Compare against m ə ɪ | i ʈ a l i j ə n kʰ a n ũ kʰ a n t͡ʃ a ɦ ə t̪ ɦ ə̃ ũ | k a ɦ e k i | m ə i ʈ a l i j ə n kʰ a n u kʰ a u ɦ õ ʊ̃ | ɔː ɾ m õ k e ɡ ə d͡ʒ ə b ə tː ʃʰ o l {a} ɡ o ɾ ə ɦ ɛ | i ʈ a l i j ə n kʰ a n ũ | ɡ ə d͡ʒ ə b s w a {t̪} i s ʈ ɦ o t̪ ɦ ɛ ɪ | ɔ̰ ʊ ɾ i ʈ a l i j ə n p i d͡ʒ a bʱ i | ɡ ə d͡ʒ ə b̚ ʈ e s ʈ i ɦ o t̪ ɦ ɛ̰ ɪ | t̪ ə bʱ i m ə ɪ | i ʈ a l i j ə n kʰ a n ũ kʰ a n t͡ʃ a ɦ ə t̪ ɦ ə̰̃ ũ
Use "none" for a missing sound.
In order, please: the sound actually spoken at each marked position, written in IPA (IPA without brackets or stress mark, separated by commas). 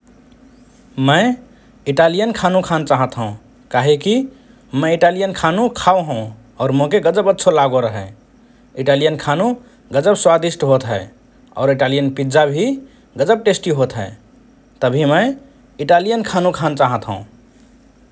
a, d̪